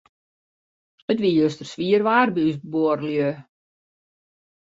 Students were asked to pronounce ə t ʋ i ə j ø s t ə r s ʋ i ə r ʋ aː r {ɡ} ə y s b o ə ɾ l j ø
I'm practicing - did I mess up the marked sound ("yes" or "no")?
yes